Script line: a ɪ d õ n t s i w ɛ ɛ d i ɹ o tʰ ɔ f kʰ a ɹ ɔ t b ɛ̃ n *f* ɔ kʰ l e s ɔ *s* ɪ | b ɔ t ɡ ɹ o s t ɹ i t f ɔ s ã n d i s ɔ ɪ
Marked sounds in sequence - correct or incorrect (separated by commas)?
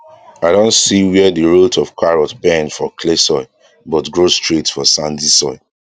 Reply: correct, incorrect